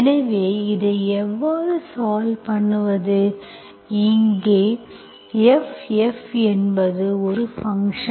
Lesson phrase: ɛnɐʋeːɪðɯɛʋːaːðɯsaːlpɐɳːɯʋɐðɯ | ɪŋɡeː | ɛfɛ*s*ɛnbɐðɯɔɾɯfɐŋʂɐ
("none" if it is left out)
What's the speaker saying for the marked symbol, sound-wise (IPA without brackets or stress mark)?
f